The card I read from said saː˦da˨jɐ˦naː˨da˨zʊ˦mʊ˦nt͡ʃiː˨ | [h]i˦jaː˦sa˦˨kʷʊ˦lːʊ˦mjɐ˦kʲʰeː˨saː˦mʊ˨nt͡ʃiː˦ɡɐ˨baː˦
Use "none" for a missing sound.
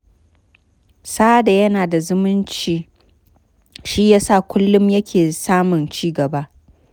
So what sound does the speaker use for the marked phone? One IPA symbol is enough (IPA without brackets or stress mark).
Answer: ʃ